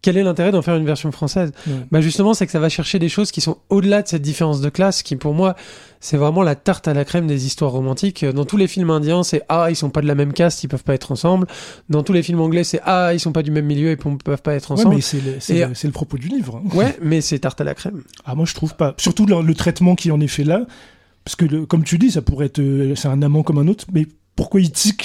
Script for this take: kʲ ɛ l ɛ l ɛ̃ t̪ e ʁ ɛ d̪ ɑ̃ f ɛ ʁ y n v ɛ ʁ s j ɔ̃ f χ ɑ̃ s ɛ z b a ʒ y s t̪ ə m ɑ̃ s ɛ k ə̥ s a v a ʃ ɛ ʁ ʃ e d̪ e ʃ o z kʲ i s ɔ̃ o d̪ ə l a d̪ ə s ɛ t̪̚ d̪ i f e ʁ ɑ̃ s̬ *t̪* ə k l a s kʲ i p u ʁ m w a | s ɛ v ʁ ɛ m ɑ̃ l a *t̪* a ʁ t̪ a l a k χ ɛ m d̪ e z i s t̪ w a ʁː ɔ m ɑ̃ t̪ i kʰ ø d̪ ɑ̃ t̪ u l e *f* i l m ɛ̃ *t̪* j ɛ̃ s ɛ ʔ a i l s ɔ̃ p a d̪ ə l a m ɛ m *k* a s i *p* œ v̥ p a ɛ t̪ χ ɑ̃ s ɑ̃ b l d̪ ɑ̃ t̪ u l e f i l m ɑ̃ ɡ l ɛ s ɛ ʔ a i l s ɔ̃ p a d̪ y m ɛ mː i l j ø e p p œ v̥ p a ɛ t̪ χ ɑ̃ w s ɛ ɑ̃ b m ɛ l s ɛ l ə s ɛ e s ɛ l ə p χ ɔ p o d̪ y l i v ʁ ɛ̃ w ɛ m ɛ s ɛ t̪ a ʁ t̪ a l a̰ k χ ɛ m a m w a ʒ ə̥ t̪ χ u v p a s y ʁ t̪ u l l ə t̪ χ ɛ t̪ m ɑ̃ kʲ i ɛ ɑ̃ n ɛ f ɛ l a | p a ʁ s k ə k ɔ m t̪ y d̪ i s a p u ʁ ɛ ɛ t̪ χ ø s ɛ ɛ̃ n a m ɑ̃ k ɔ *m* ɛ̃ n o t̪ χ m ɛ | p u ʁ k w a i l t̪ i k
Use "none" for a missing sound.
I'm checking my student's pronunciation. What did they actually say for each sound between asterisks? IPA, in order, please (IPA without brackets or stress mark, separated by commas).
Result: d̪, t̪, f, d̪, k, p, m